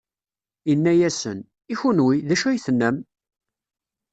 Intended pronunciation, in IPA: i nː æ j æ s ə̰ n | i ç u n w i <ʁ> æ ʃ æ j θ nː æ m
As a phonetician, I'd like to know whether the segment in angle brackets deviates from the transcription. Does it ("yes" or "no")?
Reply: yes